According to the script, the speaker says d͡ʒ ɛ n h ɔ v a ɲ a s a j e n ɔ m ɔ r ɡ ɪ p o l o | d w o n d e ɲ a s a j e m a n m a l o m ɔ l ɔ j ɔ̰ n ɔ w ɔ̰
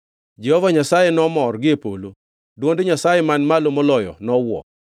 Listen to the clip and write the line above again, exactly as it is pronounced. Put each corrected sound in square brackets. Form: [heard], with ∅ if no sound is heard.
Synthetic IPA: d͡ʒ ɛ [∅] h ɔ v a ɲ a s a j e n ɔ m ɔ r ɡ ɪ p o l o | d w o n d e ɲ a s a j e m a n m a l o m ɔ l ɔ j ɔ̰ n ɔ w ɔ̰